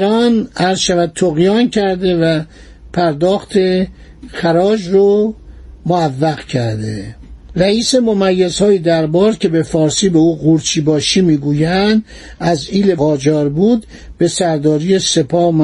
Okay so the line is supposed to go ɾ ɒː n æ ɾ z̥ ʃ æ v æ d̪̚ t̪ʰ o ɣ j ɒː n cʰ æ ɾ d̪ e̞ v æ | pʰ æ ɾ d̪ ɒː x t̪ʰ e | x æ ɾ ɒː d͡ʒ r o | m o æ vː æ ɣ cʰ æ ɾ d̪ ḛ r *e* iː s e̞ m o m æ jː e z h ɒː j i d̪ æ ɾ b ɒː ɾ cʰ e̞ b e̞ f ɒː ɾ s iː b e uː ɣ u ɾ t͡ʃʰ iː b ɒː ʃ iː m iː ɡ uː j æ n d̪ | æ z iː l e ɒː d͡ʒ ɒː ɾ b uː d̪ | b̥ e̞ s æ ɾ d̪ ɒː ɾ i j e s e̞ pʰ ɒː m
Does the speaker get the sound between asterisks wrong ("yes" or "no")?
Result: yes